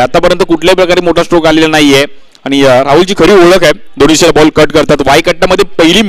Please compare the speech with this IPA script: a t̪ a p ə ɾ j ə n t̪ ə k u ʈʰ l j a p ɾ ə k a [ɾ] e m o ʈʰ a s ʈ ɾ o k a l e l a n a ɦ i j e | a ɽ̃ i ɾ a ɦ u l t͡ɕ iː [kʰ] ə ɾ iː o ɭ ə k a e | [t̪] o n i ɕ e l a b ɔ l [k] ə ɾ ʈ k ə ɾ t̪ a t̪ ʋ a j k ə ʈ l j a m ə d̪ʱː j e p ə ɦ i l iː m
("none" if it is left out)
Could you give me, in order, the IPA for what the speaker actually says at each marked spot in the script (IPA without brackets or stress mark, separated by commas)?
ɾ, kʰ, d̪, k